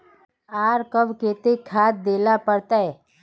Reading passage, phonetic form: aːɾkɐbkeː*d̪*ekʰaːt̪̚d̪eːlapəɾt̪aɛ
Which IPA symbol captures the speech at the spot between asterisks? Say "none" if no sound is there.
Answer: t̪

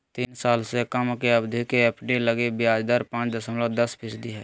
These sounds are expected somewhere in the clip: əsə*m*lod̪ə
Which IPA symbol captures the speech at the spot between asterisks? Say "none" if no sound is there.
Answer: m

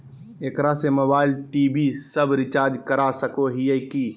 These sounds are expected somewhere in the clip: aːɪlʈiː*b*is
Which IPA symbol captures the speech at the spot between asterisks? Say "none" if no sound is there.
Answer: b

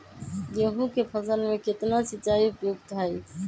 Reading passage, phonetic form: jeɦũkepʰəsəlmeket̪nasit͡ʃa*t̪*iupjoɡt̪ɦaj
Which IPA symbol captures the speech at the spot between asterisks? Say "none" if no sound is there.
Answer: none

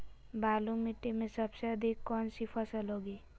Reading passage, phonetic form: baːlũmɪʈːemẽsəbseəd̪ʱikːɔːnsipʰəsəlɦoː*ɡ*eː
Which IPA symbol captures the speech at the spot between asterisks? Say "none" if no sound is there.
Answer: ɡ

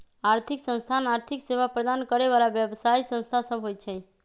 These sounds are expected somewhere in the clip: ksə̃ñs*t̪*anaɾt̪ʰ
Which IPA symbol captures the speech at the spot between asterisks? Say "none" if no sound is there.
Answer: t̪ʰ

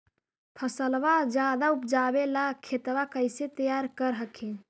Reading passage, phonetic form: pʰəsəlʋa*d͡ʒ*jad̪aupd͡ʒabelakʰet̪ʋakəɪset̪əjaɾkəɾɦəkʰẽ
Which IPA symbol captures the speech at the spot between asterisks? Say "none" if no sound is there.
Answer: d͡ʒ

